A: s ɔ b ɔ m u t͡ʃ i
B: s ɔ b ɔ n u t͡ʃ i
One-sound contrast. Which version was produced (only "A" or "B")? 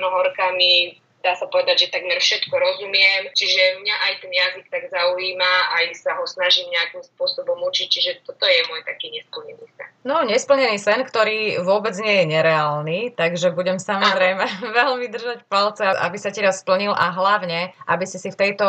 A